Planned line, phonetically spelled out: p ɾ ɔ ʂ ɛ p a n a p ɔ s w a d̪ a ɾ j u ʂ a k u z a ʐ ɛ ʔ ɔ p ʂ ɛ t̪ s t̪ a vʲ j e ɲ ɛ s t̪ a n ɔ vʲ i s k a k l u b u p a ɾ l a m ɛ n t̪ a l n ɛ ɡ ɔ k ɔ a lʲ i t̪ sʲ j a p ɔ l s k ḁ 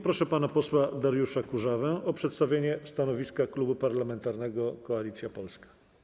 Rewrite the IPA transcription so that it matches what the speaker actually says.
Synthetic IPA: p ɾ ɔ ʂ ɛ p a n a p ɔ s w a d̪ a ɾ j u ʂ a k u ʐ a v ɛ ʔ ɔ p ʂ ɛ t̪ s t̪ a vʲ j e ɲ ɛ s t̪ a n ɔ vʲ i s k a k l u b u p a ɾ l a m ɛ n t̪ a ɾ n ɛ ɡ ɔ k ɔ a lʲ i t̪ sʲ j a p ɔ l s k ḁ

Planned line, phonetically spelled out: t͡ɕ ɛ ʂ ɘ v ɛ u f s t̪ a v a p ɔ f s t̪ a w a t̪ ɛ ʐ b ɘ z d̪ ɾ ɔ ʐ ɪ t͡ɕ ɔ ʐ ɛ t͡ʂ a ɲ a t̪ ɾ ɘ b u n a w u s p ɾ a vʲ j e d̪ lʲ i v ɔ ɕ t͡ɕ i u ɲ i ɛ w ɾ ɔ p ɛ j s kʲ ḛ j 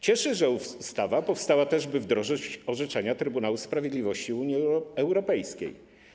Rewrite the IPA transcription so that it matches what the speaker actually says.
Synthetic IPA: t͡ɕ ɛ ʂ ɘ ʐ ɛ u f s t̪ a v a p ɔ f s t̪ a w a t̪ ɛ ʐ b ɘ v d̪ ɾ ɔ ʐ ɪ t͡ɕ ɔ ʐ ɛ t͡ʂ a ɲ a t̪ ɾ ɘ b u n a w u s p ɾ a vʲ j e d̪ lʲ i v ɔ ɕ t͡ɕ i u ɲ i ɛ w ɾ ɔ p ɛ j s kʲ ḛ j

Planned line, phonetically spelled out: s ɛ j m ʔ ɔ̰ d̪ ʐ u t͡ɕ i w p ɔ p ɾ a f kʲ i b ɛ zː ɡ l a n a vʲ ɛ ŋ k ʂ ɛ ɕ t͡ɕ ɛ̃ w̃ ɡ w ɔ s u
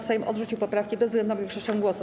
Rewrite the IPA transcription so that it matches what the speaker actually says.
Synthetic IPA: s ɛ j m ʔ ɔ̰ d̪ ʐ u t͡ɕ i w p ɔ p ɾ a f kʲ i b ɛ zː ɡ l ɛ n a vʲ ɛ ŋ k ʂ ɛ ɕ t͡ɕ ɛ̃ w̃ ɡ w ɔ s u

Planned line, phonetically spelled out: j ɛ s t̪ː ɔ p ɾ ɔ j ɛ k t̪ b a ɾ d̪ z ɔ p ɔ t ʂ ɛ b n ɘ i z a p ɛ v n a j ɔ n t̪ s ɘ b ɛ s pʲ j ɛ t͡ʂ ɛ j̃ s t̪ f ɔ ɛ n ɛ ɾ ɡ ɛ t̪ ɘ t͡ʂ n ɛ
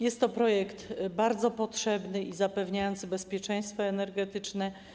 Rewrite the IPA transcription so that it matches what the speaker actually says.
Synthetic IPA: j ɛ s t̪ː ɔ p ɾ ɔ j ɛ k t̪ b a ɾ d̪ z ɔ p ɔ t ʂ ɛ b n ɘ i z a p ɛ v ɲ a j ɔ n t̪ s ɘ b ɛ s pʲ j ɛ t͡ʂ ɛ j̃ s t̪ f ɔ ɛ n ɛ ɾ ɡ ɛ t̪ ɘ t͡ʂ n ɛ

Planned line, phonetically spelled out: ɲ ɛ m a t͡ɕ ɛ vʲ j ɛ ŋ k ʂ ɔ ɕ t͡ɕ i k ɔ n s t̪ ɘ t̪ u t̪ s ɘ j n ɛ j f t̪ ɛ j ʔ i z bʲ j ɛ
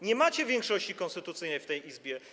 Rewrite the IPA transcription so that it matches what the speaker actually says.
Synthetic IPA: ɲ ɛ m a t͡ɕ ɛ vʲ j ɛ ŋ k ʂ ɔ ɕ t͡ɕ i k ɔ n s t̪ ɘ t̪ u t̪ s ɘ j n ɛ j f t̪ ɛ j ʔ i z bʲ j ɛ

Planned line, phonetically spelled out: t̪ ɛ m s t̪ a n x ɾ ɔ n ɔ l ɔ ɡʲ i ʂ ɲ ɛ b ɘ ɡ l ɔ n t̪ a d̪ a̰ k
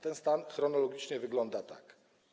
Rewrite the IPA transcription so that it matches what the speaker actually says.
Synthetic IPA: t̪ ɛ n s t̪ a n x ɾ ɔ n ɔ l ɔ ɡʲ i t͡ʂ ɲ ɛ v ɘ ɡ l ɔ n d̪ a t̪ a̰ k

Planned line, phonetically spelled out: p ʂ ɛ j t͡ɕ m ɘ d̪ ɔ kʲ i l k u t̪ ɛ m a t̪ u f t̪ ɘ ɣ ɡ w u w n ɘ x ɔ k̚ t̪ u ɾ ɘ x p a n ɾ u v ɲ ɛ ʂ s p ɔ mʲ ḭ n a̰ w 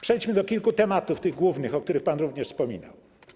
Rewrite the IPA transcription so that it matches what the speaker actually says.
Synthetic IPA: p ʂ ɛ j t͡ɕ m ɘ d̪ ɔ kʲ i l k u t̪ ɛ m a t̪ u f t̪ ɘ ɣ ɡ w u v n ɘ x ɔ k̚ t̪ u ɾ ɘ x p a n ɾ u v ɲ ɛ ʂ s p ɔ mʲ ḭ n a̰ w

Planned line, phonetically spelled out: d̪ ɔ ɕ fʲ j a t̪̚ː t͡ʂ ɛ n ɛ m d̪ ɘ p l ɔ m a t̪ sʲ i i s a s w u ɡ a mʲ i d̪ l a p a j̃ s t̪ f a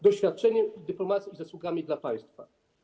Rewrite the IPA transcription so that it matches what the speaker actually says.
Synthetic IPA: d̪ ɔ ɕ fʲ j a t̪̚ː t͡ʂ ɛ ɲ ɛ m d̪ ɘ p l ɔ m a t̪ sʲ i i z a s w u ɡ a mʲ i d̪ l a p a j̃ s t̪ f a

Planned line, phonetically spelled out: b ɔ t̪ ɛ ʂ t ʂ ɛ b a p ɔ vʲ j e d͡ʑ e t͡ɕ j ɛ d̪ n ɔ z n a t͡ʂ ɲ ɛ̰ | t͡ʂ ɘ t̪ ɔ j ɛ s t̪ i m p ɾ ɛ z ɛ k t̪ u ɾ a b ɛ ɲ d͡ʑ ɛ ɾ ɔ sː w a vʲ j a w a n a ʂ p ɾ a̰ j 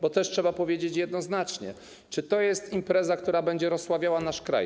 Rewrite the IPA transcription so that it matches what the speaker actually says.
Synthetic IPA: b ɔ t̪ ɛ ʂ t ʂ ɛ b a p ɔ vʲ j e d͡ʑ e t͡ɕ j ɛ d̪ n ɔ z n a t͡ʂ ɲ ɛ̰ | t͡ʂ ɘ t̪ ɔ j ɛ s t̪ i m p ɾ ɛ z a k t̪ u ɾ a b ɛ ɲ d͡ʑ ɛ ɾ ɔ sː w a vʲ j a w a n a ʂ k ɾ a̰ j

